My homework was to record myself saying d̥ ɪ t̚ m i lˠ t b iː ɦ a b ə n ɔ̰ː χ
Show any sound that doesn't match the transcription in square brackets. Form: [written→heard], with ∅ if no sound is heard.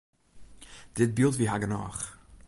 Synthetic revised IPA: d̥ ɪ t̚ [m→b] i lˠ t [b→v] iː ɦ a [b→ɡ] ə n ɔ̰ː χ